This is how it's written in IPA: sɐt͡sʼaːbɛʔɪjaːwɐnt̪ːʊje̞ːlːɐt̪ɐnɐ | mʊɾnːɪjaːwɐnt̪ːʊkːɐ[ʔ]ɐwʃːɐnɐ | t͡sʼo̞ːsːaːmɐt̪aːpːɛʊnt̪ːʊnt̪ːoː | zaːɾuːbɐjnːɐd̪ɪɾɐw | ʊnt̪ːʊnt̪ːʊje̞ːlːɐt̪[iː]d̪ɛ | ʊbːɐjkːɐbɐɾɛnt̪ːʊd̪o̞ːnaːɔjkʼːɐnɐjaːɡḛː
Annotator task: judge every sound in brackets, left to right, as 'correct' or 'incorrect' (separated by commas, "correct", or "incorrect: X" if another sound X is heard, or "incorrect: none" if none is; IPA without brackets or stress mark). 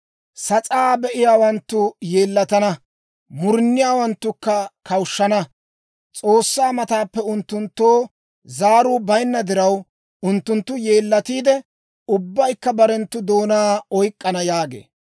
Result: incorrect: k, correct